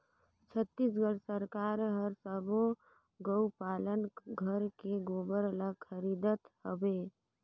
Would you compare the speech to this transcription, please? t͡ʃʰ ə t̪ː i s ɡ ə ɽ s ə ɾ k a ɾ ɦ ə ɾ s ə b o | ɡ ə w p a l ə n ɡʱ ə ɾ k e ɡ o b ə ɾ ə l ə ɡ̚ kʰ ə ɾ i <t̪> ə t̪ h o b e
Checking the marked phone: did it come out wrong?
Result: yes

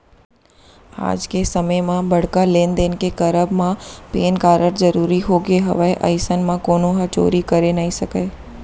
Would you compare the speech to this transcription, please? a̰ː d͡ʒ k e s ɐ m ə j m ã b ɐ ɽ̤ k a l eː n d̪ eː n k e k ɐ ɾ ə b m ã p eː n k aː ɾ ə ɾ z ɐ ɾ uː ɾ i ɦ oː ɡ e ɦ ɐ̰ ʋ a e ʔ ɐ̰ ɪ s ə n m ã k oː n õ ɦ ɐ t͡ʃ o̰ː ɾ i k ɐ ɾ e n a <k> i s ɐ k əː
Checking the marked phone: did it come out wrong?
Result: yes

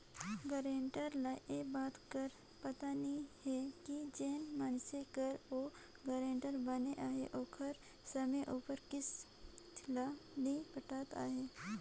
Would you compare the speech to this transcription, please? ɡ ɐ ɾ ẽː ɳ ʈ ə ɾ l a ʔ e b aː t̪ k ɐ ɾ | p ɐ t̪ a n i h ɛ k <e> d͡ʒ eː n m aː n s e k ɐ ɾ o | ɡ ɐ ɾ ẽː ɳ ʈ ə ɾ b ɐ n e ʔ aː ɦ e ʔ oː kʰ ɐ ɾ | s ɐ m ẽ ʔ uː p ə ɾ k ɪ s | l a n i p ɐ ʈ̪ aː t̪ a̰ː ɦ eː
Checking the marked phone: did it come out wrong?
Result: yes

